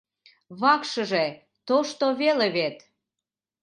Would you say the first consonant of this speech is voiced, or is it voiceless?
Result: voiced